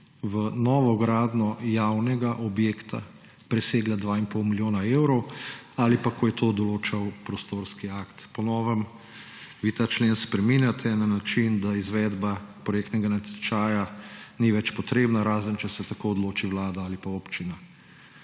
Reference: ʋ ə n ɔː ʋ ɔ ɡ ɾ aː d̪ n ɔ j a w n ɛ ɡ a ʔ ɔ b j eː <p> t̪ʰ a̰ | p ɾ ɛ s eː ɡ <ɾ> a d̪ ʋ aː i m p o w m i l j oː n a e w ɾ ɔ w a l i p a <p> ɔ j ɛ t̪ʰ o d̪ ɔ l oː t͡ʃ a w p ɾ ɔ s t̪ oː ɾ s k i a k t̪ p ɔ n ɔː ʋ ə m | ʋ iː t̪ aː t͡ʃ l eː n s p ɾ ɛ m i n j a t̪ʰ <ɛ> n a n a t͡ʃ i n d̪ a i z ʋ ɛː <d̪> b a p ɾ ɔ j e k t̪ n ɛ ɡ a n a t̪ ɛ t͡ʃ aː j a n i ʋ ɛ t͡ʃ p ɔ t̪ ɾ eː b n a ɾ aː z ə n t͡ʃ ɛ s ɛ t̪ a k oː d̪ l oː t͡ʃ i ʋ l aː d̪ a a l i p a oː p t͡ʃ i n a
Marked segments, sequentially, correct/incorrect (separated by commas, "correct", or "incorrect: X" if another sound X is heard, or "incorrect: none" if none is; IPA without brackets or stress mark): incorrect: k, incorrect: l, incorrect: k, correct, correct